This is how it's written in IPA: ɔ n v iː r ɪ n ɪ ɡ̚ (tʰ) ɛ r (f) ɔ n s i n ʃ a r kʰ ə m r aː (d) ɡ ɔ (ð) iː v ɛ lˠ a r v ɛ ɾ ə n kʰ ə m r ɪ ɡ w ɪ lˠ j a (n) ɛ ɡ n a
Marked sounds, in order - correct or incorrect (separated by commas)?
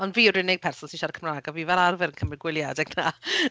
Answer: incorrect, incorrect, incorrect, incorrect, incorrect